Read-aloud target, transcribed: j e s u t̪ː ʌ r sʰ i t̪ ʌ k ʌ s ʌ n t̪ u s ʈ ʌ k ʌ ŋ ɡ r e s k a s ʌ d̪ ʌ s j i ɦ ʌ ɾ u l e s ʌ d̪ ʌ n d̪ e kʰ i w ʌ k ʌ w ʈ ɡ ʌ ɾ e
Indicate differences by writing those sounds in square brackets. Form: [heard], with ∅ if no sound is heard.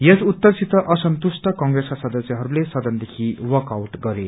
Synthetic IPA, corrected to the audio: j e s u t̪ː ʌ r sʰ i t̪ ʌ [ʔ] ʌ s ʌ n t̪ u s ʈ ʌ k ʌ ŋ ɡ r e s k a s ʌ d̪ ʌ s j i ɦ ʌ ɾ u l e s ʌ d̪ ʌ n d̪ e kʰ i w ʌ k [a] w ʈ ɡ ʌ ɾ e